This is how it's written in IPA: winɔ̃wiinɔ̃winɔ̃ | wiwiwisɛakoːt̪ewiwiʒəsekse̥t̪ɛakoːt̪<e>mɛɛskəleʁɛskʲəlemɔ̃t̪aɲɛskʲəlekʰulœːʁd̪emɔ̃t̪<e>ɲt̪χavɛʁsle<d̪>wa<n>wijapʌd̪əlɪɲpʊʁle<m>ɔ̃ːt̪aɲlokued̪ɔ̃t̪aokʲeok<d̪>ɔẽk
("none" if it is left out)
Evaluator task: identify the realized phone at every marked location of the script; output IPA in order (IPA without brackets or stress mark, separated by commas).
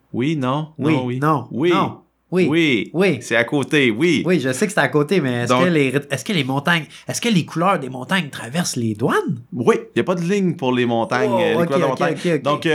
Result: e, a, d̪, n, m, d̪